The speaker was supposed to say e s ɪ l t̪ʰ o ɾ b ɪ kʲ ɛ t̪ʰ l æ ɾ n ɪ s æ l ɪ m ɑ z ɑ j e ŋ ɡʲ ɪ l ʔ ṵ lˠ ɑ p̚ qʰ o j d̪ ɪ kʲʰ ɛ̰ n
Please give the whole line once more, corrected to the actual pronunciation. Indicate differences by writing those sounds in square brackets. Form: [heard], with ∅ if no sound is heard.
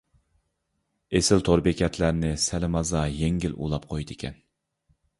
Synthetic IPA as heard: e s ɪ l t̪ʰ o ɾ b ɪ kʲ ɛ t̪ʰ l æ ɾ n ɪ s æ l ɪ m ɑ z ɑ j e ŋ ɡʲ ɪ l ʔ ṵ lˠ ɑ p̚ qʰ o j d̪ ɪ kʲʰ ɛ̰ n